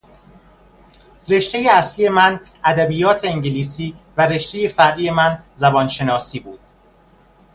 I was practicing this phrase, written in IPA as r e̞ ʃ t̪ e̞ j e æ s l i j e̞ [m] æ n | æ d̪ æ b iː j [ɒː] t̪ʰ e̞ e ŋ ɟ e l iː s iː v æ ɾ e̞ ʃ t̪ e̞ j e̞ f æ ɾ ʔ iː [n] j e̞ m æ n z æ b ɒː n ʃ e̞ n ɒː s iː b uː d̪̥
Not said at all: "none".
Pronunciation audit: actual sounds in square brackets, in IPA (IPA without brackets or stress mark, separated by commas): m, ɒː, none